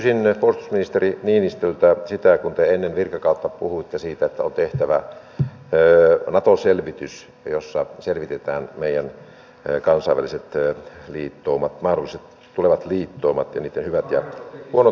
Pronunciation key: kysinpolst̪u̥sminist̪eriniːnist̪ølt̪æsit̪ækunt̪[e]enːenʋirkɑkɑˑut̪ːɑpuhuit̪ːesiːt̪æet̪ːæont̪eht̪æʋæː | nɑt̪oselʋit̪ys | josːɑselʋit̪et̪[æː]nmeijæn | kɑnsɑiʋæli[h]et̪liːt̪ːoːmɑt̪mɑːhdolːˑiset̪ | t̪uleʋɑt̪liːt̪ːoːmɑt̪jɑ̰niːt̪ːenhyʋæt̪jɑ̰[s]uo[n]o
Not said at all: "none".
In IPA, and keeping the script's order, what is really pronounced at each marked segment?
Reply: e, æː, s, h, n

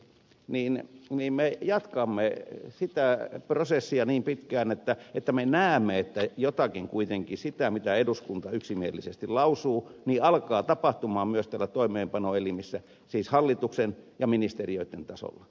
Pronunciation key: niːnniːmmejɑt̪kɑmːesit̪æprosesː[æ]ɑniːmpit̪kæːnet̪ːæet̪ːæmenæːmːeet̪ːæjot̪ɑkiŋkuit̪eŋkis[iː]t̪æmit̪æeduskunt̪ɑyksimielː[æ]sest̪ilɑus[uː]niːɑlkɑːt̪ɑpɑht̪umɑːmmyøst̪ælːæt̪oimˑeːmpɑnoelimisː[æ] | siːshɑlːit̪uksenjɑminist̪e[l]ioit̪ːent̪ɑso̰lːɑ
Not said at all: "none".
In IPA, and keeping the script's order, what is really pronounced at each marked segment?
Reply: i, i, i, uː, æ, r

